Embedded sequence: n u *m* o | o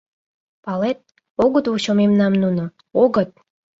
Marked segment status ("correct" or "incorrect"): incorrect